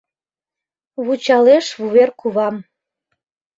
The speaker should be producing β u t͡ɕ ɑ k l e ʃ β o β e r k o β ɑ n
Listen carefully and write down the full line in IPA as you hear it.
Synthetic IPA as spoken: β u t͡ɕ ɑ l e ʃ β u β e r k u β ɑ m